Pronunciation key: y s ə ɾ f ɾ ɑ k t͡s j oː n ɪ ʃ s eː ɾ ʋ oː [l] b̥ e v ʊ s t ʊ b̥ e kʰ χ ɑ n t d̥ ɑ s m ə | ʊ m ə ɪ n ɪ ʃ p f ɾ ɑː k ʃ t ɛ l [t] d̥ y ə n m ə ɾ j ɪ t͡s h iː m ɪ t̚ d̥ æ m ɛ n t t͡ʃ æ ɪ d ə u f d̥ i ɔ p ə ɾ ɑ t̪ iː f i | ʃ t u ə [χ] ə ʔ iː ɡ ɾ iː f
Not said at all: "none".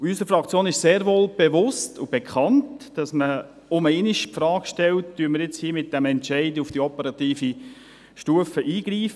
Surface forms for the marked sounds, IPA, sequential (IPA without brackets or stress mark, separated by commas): l, t, f